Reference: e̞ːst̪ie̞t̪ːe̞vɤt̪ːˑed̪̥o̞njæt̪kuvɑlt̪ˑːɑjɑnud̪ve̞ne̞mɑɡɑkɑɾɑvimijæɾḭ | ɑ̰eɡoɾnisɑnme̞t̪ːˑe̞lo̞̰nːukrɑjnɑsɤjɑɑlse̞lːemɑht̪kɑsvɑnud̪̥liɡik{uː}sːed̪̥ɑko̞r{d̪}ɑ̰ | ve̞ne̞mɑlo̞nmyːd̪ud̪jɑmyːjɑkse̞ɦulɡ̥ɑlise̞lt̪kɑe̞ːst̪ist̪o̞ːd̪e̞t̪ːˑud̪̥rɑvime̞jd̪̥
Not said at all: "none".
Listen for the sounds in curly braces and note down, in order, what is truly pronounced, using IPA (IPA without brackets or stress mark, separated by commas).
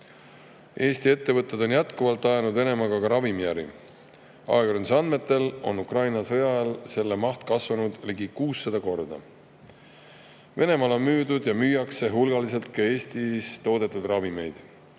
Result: uː, d̪